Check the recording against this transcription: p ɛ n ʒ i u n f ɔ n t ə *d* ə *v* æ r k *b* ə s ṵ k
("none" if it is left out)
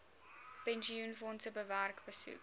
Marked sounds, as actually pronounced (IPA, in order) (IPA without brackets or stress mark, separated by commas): b, v, b